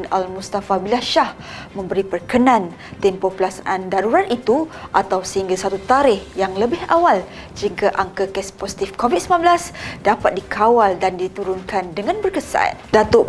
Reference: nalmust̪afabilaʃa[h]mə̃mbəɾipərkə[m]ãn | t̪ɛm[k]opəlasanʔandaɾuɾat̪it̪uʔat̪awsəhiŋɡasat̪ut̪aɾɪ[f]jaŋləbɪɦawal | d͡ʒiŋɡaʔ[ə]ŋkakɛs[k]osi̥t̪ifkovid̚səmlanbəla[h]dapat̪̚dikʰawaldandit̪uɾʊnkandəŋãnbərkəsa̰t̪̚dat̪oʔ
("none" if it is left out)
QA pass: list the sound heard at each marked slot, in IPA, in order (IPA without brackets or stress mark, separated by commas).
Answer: h, n, p, h, a, p, s